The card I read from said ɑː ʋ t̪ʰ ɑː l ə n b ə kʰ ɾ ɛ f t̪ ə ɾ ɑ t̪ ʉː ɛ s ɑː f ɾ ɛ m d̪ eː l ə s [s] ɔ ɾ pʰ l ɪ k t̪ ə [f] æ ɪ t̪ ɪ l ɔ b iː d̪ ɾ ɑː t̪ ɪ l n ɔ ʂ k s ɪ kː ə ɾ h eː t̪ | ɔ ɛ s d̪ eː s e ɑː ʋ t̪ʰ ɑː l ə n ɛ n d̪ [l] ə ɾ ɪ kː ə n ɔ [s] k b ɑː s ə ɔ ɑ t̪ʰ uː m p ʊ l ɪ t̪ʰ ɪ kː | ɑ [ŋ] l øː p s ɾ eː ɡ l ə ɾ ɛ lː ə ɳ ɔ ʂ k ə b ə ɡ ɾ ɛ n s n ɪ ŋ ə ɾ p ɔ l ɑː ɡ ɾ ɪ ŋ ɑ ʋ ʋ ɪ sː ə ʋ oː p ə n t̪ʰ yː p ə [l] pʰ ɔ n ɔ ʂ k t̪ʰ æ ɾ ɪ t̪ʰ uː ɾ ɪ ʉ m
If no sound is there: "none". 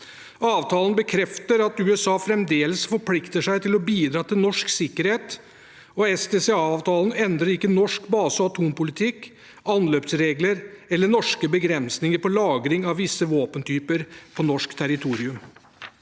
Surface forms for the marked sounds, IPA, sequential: f, ʂ, ɾ, ʂ, n, ɾ

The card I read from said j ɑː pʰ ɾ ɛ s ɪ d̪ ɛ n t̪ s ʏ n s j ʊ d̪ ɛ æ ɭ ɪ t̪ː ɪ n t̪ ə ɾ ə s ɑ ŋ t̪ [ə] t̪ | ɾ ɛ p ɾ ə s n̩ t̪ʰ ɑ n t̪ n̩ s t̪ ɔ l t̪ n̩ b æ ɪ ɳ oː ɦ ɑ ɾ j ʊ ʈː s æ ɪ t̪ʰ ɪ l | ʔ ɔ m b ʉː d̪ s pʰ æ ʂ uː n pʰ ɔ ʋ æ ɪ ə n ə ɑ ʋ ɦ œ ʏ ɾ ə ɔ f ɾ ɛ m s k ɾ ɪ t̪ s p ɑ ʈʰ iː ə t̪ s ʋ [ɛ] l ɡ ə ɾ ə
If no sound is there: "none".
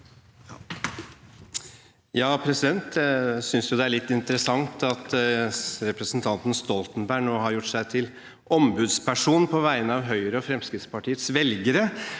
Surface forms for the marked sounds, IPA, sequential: ɑ, ɛ

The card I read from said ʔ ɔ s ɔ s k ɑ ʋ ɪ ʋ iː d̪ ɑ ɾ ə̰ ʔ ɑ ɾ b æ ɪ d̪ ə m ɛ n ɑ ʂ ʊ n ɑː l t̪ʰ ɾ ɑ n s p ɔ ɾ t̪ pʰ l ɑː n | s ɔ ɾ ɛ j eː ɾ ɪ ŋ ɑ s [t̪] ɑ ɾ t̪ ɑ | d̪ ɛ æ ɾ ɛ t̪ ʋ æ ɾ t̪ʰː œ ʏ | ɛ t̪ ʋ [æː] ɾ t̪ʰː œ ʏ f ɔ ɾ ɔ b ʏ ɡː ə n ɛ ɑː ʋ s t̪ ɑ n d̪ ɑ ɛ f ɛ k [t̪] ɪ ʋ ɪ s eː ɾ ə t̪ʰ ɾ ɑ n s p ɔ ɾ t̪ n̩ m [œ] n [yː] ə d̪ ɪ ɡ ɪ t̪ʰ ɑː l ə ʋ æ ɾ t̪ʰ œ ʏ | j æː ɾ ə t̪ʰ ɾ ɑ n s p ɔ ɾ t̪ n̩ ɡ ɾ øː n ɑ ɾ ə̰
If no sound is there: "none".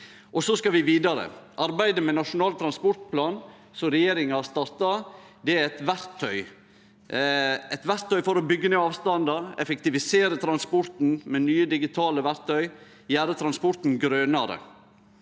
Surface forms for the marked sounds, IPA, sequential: t̪, æ, t̪, ɛ, yː

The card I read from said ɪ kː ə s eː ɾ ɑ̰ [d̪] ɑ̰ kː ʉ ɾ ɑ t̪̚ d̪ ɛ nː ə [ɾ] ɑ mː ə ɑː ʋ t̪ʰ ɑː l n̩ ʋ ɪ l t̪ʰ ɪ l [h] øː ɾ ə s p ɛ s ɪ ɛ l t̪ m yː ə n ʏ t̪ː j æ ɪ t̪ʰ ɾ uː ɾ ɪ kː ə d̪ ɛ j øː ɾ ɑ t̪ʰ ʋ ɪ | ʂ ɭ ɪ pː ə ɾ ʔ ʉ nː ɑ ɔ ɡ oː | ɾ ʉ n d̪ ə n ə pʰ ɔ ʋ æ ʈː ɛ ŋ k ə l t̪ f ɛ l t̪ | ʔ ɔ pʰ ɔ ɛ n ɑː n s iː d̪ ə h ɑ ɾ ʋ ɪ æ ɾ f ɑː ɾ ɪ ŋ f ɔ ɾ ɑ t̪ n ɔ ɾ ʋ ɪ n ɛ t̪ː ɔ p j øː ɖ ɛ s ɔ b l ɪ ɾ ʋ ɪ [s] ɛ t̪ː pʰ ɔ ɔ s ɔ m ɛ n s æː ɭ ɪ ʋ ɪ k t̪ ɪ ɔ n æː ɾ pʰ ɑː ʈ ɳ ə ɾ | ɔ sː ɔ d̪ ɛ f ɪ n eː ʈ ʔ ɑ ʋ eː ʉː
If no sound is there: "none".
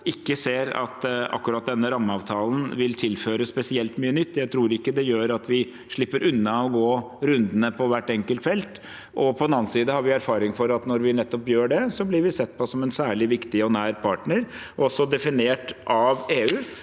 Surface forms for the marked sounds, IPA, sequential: t̪, ɾ, f, s

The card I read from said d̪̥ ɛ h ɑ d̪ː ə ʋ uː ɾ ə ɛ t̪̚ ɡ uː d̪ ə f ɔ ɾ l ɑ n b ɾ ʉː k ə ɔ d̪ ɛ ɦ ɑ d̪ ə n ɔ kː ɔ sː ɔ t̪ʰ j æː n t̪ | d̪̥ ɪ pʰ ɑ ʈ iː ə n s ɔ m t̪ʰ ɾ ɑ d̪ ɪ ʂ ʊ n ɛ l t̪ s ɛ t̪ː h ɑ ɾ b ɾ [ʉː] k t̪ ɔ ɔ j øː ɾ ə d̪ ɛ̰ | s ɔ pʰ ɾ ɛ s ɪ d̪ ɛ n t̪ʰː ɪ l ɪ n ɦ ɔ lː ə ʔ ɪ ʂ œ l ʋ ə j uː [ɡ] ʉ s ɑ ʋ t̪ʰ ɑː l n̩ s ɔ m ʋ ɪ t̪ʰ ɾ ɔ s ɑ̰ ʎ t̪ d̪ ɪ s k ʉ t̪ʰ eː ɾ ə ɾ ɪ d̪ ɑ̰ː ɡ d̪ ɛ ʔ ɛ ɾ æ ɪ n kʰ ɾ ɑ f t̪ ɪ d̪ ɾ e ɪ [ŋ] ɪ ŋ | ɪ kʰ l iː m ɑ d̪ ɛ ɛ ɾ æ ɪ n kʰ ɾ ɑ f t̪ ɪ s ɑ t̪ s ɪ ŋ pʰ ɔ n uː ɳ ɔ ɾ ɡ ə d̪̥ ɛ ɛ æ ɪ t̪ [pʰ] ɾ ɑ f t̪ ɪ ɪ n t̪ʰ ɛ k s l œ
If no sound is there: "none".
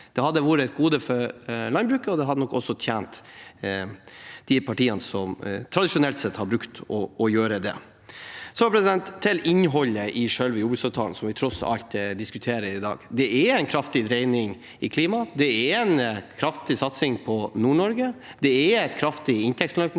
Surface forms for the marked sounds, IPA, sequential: ʉ, b, n, kʰ

